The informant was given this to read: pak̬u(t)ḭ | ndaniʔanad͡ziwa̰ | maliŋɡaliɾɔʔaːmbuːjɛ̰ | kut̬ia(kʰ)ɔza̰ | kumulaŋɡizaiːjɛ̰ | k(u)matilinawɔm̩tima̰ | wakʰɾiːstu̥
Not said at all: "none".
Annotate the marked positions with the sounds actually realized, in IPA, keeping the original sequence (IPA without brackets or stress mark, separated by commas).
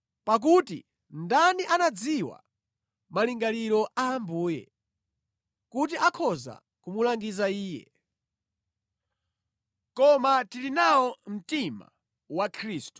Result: t, kʰ, ɔ